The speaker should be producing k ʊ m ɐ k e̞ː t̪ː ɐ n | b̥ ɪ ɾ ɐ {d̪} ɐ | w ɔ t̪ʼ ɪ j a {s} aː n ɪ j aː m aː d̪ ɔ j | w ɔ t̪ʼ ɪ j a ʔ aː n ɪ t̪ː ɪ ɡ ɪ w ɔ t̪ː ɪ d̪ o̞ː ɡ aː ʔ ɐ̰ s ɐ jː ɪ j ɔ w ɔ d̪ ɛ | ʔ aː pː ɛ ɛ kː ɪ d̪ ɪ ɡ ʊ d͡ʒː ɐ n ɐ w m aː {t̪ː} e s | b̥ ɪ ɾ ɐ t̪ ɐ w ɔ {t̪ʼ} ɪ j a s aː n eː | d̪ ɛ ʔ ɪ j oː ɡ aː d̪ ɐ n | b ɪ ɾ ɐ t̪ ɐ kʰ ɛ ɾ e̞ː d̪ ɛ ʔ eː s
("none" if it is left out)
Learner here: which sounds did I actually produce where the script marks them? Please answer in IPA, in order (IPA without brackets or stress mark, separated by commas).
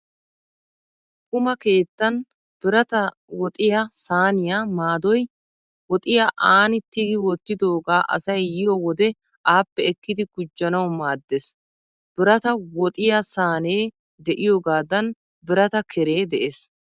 t̪, s, d̪ː, t̪ʼ